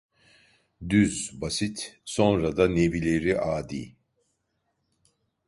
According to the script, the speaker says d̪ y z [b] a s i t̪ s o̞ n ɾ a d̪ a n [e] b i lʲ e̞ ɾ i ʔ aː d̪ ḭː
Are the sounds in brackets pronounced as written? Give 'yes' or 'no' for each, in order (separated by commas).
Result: yes, yes